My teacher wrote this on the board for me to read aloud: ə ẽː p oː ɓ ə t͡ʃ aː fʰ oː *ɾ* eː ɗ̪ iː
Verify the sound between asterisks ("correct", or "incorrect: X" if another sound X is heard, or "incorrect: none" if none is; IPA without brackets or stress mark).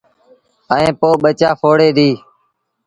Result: incorrect: ɽ